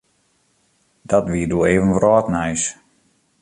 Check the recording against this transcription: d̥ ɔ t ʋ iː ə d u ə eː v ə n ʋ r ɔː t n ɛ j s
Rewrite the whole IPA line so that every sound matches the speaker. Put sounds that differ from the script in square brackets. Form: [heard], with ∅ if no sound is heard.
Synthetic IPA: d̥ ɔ t ʋ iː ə d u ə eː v ə n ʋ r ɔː t n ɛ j s